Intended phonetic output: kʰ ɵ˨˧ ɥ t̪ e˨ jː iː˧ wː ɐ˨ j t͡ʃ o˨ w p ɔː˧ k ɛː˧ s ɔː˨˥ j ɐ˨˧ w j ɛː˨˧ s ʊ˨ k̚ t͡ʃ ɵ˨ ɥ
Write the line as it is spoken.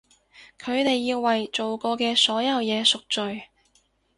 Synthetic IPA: kʰ ɵ˨˧ ɥ t̪ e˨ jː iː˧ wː ɐ˨ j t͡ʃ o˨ w k ɔː˧ k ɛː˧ s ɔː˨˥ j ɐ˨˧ w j ɛː˨˧ s ʊ˨ k̚ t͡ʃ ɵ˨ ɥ